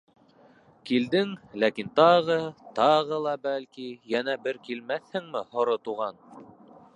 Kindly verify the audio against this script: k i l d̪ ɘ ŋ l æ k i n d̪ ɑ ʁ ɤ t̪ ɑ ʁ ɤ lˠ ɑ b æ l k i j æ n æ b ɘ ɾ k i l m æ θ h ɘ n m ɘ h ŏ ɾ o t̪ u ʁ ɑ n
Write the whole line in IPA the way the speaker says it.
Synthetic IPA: k i l d̪ ɘ ŋ l æ k i n t̪ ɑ ʁ ɤ t̪ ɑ ʁ ɤ lˠ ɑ b æ l k i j æ n æ b ɘ ɾ k i l m æ θ h ɘ ŋ m ɘ h ŏ ɾ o t̪ u ʁ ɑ n